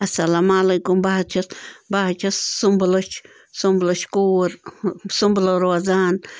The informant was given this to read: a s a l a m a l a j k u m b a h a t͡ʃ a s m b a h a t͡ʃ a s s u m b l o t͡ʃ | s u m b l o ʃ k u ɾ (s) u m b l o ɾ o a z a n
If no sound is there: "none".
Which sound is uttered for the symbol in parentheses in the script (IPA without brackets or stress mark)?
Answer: s